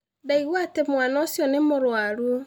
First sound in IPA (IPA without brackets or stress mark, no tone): d